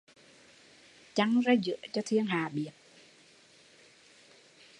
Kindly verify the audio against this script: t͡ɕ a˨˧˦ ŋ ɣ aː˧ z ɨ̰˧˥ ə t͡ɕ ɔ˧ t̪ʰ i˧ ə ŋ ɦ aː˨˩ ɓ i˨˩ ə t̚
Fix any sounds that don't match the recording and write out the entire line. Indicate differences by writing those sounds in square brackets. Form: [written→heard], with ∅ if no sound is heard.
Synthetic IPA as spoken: t͡ɕ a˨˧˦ ŋ [ɣ→z] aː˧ z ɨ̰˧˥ ə t͡ɕ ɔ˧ t̪ʰ i˧ ə ŋ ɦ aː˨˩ ɓ i˨˩ ə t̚